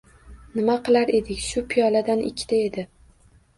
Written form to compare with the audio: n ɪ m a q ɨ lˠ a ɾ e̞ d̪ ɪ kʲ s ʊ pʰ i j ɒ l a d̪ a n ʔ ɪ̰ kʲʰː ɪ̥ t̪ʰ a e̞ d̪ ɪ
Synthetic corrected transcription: n ɪ m a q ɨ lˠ a ɾ e̞ d̪ ɪ kʲ ʃ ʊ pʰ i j ɒ l a d̪ a n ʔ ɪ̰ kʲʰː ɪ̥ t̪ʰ a e̞ d̪ ɪ

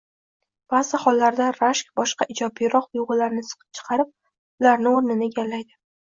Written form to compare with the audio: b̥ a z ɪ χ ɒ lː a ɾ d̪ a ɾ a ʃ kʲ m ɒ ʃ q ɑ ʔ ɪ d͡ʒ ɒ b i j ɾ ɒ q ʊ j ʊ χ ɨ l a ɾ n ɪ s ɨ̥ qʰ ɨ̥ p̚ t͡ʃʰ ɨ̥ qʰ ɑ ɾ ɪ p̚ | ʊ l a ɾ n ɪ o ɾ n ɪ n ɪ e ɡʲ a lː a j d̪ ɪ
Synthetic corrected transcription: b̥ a z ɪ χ ɒ lː a ɾ d̪ a ɾ a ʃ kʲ b ɒ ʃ q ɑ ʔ ɪ d͡ʒ ɒ b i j ɾ ɒ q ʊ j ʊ ʁ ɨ l a ɾ n ɪ s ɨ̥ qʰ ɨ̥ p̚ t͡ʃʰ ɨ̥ qʰ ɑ ɾ ɪ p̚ | ʊ l a ɾ n ɪ o ɾ n ɪ n ɪ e ɡʲ a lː a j d̪ ɪ

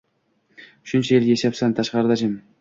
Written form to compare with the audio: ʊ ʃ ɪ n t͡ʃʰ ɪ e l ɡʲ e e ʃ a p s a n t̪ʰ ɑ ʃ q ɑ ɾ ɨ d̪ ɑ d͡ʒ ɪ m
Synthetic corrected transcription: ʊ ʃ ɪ n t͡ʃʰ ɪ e l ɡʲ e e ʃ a p s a n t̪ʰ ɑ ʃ q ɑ ɾ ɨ d̪ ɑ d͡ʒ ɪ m

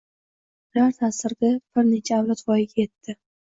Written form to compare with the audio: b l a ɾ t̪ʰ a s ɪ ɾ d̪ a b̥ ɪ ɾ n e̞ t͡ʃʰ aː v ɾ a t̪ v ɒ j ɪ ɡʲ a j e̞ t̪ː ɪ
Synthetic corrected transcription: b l a ɾ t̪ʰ a s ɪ ɾ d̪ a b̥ ɪ ɾ n e̞ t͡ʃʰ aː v l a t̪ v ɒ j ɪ ɡʲ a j e̞ t̪ː ɪ

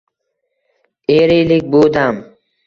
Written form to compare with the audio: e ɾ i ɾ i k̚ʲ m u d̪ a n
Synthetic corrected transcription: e ɾ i l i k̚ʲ b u d̪ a m

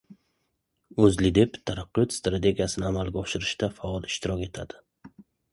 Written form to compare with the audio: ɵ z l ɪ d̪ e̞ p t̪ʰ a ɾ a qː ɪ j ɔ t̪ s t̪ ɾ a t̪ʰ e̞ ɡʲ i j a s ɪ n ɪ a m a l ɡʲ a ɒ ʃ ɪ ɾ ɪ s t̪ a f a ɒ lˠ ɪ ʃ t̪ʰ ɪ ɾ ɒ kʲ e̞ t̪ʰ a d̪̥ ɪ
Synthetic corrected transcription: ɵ z l ɪ d̪ e̞ p t̪ʰ a ɾ a qː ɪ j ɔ t̪ s t̪ ɾ a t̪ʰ e̞ ɡʲ i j a s ɪ n ɪ a m a l ɡʲ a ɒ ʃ ɪ ɾ ɪ ʃ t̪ a f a ɒ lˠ ɪ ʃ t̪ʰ ɪ ɾ ɒ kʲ e̞ t̪ʰ a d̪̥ ɪ

